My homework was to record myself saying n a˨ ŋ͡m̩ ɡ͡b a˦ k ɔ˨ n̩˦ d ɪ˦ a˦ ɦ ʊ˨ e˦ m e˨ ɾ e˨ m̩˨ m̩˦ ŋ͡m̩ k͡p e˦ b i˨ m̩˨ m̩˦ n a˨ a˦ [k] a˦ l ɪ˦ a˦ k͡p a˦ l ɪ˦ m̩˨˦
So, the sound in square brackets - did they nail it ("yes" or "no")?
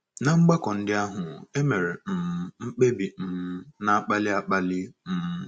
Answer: no